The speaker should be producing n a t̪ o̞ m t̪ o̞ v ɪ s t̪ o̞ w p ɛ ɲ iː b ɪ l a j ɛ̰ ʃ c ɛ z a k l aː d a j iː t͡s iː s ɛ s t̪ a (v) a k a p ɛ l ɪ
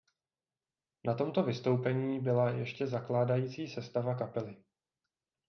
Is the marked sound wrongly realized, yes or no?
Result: no